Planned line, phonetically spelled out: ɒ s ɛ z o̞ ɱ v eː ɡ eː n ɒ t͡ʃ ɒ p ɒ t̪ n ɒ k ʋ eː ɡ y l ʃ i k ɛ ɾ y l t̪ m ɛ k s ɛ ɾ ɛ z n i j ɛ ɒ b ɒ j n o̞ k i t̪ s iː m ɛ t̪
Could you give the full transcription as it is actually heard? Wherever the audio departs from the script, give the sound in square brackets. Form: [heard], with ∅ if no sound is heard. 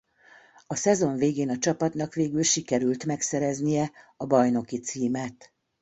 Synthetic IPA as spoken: ɒ s ɛ z o̞ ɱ v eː ɡ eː n ɒ t͡ʃ ɒ p ɒ t̪ n ɒ k ʋ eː ɡ y l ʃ i k ɛ ɾ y l t̪ m ɛ k s ɛ ɾ ɛ z n i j ɛ ɒ b ɒ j n o̞ k i t̪ s iː m ɛ t̪